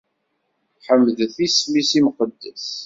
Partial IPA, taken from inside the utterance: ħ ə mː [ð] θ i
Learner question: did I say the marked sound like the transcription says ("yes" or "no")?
yes